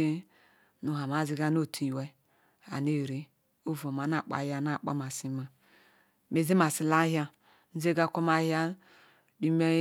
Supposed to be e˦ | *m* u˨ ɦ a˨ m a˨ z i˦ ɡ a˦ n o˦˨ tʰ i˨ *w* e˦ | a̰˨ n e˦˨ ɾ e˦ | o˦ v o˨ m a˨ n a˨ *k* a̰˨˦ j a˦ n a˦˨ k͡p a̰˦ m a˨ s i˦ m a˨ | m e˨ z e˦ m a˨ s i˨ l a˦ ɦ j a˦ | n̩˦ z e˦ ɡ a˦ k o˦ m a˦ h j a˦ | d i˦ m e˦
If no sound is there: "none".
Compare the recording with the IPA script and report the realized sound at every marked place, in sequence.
n, w, k͡p

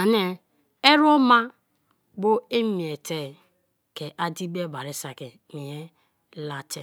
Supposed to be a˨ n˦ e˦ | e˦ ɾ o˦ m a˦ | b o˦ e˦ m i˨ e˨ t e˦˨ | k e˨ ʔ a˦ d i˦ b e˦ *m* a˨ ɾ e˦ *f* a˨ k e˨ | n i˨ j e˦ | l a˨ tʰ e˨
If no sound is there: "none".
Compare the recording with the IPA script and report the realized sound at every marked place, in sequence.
b, s

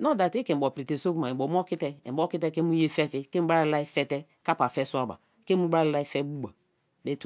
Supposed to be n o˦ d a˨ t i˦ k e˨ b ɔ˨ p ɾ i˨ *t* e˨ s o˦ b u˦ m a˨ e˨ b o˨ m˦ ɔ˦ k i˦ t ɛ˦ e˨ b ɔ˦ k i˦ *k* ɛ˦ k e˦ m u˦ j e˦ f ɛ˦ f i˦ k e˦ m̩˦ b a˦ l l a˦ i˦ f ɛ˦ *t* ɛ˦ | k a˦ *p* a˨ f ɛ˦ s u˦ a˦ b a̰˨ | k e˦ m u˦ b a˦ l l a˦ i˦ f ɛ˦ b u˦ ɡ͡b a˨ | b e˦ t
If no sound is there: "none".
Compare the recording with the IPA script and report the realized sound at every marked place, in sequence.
t, t, t, p

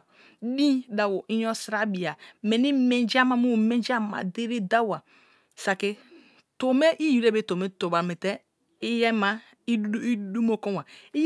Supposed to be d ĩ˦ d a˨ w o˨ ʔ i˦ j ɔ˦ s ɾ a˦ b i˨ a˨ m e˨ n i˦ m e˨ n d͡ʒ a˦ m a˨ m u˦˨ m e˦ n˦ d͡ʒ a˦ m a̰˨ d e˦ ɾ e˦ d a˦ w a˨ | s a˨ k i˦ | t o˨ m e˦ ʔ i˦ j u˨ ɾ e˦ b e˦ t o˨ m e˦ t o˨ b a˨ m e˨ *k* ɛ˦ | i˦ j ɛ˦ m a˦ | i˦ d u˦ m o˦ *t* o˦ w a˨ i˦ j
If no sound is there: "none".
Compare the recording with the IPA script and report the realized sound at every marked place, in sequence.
t, k

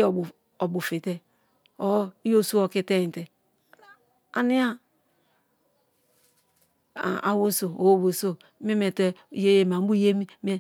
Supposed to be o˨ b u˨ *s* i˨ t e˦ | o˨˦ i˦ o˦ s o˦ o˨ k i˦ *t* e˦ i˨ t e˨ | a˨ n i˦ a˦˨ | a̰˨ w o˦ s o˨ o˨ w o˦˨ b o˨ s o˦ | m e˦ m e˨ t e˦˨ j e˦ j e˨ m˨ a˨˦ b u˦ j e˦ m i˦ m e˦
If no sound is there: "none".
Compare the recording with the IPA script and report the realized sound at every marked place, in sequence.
f, t

